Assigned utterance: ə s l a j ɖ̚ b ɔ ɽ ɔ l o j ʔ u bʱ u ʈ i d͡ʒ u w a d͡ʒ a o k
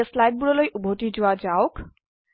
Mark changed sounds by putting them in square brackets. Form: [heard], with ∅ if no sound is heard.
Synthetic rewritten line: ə s l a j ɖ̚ b [u] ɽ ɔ l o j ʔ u bʱ [o] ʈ i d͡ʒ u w a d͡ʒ a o k